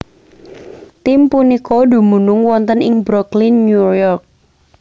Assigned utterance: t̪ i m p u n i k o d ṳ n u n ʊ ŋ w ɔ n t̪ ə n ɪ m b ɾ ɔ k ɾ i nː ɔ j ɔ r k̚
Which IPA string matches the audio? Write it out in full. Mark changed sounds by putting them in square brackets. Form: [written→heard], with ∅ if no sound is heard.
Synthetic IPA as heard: t̪ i m p u n i k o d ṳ [n→m] u n ʊ ŋ w ɔ n t̪ ə n ɪ [m→ŋ] b ɾ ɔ k [ɾ→l] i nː [ɔ→u] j ɔ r k̚